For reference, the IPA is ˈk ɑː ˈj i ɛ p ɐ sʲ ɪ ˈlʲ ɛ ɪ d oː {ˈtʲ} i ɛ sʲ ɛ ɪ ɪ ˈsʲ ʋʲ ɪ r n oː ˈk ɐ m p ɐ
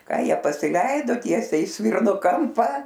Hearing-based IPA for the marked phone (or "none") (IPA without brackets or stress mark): tʲ